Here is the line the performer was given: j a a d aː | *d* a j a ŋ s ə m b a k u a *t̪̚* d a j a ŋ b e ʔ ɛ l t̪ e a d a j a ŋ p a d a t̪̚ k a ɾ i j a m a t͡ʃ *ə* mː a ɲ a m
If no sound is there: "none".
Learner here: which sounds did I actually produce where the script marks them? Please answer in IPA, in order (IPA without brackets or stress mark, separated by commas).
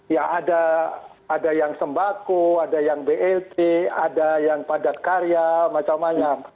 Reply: d, none, a